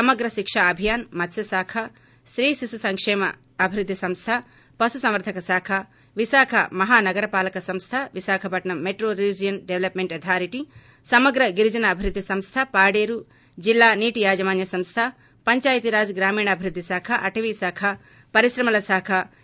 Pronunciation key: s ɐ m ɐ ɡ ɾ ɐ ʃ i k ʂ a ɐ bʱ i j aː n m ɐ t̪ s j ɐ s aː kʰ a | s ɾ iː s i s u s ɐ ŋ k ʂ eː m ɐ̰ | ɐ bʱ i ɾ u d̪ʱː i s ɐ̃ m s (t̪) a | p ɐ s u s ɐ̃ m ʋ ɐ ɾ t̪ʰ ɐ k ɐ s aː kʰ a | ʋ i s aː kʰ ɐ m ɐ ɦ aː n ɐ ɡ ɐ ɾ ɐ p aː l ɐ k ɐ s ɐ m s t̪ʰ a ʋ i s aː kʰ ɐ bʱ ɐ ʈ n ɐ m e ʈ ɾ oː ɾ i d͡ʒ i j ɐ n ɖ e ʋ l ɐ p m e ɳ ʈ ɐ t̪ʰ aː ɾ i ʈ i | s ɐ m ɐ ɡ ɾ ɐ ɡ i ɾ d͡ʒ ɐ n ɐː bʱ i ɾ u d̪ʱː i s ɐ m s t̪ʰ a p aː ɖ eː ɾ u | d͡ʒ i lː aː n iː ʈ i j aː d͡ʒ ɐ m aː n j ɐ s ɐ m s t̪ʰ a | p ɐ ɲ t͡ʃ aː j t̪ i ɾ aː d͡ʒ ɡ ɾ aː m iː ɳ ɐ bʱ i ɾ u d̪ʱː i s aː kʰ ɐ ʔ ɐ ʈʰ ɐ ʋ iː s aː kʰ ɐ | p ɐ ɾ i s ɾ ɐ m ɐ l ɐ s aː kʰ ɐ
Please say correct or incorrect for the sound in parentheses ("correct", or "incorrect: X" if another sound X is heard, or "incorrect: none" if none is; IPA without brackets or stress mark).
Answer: incorrect: t̪ʰ